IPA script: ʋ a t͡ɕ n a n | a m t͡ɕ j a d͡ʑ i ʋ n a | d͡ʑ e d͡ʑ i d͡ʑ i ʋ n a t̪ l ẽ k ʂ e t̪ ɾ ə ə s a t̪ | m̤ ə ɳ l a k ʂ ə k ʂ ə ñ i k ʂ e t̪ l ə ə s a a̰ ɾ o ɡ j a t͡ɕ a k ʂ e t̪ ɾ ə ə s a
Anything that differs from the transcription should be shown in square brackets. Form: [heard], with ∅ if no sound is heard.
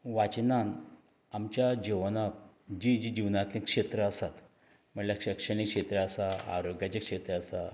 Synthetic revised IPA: ʋ a t͡ɕ n a n | a m t͡ɕ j a d͡ʑ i ʋ n a | d͡ʑ [i] d͡ʑ i d͡ʑ i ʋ n a t̪ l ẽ k ʂ e t̪ ɾ ə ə s a t̪ | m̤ ə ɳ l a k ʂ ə k ʂ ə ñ i k ʂ e t̪ [ɾ] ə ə s a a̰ ɾ o ɡ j a t͡ɕ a k ʂ e t̪ ɾ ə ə s a